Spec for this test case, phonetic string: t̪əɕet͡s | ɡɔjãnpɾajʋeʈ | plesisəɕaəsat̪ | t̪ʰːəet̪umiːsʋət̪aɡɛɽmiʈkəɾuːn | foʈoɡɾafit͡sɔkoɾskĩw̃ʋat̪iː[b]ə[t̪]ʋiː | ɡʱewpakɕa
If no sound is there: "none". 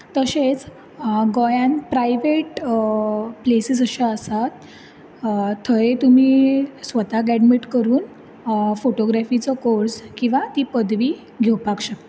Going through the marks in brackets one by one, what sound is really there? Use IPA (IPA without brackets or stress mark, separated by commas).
p, d̪